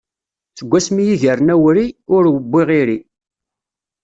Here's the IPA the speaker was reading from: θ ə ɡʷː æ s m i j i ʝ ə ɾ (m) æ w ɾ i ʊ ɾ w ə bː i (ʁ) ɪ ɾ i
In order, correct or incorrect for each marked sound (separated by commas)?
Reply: incorrect, correct